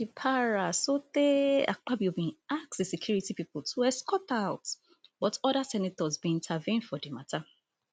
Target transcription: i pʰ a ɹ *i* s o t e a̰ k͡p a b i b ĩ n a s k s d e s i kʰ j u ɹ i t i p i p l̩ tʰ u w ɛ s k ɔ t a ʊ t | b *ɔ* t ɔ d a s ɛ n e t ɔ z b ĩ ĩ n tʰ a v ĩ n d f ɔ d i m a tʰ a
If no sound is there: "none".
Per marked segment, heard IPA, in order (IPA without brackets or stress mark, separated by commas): a, ɔ